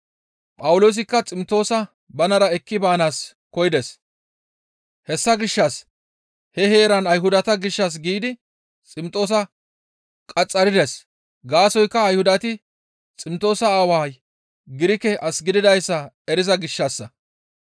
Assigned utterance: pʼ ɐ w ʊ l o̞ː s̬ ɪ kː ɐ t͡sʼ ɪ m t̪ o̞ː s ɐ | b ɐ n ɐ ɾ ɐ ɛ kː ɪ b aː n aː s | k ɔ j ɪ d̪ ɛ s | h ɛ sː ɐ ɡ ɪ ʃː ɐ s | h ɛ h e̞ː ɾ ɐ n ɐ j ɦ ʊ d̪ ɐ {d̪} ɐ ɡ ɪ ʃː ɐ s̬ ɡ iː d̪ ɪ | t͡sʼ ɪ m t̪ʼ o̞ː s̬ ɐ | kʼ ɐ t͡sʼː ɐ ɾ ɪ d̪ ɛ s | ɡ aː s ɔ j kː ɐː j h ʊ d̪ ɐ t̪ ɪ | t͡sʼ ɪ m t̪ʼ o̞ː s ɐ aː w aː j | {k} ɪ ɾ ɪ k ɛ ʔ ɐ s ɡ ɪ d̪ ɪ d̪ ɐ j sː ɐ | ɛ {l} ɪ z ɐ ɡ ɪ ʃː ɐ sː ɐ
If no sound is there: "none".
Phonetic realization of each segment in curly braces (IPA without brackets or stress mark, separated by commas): t̪, ɡ, ɾ